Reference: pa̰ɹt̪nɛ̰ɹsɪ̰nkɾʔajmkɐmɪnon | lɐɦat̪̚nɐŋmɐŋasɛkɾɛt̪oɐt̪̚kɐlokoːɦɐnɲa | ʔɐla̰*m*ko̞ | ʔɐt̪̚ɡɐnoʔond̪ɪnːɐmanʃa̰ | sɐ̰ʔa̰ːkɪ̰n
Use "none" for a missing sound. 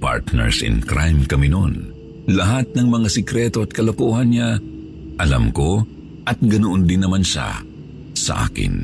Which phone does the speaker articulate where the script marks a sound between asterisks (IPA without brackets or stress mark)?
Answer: m